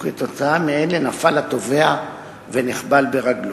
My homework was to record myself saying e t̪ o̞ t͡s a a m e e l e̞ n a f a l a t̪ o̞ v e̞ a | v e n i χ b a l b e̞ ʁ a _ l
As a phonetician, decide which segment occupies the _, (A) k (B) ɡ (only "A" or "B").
B